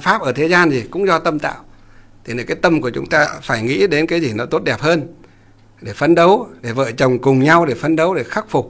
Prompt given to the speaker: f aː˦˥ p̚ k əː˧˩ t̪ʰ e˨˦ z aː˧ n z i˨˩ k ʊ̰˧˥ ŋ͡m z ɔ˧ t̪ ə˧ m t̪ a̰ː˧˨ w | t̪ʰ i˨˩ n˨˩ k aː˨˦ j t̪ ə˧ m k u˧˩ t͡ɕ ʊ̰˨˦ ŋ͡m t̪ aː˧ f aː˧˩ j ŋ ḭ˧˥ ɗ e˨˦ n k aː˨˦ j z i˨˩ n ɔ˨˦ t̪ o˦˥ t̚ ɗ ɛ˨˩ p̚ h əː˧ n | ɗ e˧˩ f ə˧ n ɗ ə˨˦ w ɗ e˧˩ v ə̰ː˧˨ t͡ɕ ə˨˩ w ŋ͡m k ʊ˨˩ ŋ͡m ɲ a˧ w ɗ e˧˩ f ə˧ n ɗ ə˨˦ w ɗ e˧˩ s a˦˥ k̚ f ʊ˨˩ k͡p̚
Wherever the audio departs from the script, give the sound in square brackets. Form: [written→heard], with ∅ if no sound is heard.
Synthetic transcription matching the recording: f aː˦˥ p̚ [k→ʔ] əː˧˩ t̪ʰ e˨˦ z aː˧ n z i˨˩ k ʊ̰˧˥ ŋ͡m z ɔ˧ t̪ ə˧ m t̪ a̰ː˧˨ w | t̪ʰ i˨˩ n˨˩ k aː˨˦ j t̪ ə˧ m k u˧˩ t͡ɕ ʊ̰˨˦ ŋ͡m t̪ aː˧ f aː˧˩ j ŋ ḭ˧˥ ɗ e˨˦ n k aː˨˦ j z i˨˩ n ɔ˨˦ t̪ o˦˥ t̚ ɗ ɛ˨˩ p̚ h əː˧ n | ɗ e˧˩ f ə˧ n ɗ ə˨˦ w ɗ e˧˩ v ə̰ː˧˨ t͡ɕ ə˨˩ w ŋ͡m k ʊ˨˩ ŋ͡m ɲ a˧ w ɗ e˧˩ f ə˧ n ɗ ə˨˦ w ɗ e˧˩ [s→x] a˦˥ k̚ f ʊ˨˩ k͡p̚

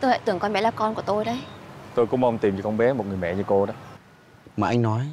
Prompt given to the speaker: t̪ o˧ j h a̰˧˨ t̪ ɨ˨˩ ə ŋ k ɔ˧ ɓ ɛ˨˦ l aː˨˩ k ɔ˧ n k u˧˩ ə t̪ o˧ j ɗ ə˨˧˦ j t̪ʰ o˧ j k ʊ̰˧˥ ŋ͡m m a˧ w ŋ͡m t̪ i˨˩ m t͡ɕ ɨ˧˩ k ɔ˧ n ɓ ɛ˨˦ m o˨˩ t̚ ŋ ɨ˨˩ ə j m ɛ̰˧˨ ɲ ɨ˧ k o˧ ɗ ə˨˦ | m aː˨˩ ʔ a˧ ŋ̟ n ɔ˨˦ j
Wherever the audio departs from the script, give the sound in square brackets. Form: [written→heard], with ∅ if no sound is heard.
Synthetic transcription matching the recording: t̪ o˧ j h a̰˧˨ t̪ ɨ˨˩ ə ŋ k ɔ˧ ɓ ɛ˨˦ l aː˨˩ k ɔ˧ n k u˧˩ ə t̪ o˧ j ɗ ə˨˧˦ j [t̪ʰ→t̪] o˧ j k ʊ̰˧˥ ŋ͡m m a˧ w ŋ͡m t̪ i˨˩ m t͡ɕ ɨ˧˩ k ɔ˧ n ɓ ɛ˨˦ m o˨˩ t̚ ŋ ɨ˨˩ ə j m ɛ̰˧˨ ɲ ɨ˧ k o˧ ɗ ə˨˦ | m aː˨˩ ʔ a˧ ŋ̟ n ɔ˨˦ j

